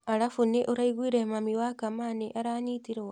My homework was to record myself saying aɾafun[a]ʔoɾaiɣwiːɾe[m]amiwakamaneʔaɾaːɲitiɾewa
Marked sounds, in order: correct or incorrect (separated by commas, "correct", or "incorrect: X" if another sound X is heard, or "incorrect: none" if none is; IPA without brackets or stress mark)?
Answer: incorrect: e, correct